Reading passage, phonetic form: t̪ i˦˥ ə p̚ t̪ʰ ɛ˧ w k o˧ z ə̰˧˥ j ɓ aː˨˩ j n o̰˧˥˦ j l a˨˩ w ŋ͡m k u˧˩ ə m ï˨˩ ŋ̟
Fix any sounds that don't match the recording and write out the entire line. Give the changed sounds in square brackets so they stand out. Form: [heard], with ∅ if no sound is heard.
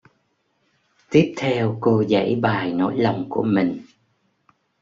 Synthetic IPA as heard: t̪ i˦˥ ə p̚ t̪ʰ ɛ˧ w k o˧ z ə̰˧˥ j ɓ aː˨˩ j n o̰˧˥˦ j l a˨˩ w ŋ͡m k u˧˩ ə m ï˨˩ ŋ̟